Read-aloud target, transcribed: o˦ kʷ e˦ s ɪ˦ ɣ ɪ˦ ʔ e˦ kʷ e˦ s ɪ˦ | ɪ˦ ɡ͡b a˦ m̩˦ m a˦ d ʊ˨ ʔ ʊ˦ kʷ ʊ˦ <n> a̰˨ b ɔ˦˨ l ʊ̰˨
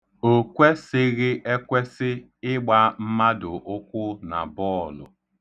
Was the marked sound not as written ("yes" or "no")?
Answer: no